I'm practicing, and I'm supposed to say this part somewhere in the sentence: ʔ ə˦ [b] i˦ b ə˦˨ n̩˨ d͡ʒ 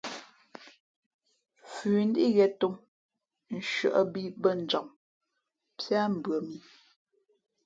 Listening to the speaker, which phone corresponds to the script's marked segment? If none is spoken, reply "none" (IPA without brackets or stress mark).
b